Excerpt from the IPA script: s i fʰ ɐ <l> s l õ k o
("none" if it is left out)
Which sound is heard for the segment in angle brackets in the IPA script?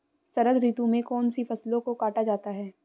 none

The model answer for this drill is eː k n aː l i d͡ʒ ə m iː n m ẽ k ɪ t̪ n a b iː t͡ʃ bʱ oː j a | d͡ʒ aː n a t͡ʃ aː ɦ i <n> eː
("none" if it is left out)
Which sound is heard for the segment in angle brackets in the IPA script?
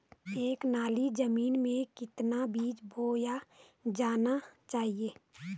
none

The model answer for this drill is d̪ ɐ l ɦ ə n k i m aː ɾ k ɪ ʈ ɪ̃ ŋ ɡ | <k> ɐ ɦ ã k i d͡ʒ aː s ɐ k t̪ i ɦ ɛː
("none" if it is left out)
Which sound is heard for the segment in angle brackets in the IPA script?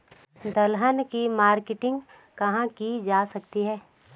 k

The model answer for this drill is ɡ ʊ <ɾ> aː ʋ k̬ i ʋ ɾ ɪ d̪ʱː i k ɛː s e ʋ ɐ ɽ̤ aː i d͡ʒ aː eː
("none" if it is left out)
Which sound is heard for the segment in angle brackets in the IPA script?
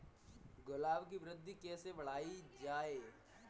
l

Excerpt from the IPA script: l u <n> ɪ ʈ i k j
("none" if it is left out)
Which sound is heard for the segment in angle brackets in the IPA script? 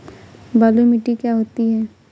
m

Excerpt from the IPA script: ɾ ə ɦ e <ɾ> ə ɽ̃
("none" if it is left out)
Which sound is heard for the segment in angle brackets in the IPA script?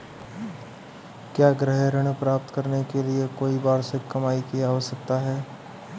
ɾ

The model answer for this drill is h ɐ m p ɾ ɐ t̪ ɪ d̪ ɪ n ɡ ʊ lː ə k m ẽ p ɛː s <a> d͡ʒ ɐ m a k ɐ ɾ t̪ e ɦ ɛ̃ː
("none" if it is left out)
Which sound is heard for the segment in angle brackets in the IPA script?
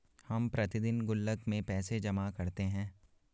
e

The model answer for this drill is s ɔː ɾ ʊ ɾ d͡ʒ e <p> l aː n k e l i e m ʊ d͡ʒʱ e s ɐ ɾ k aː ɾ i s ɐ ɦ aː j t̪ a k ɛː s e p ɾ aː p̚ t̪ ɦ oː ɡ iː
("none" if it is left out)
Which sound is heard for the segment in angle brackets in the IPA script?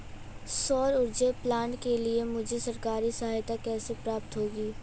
p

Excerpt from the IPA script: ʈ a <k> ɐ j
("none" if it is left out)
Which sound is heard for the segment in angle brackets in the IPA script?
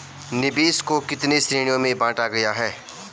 ɡ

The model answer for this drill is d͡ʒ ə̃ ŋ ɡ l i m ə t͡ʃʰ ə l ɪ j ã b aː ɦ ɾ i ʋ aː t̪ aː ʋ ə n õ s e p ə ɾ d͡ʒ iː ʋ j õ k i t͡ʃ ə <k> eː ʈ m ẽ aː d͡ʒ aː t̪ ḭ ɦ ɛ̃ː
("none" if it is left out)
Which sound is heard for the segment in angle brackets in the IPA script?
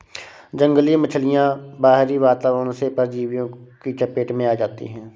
p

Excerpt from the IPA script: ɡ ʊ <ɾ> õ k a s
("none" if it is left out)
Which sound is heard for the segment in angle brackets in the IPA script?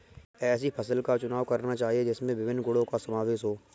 ɽ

